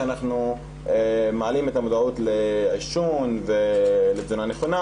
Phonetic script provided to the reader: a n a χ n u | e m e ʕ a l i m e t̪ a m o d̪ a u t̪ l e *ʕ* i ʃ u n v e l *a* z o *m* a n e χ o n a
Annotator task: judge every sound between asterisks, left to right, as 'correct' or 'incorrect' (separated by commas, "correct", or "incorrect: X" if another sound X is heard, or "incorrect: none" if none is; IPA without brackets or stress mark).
correct, incorrect: e, incorrect: n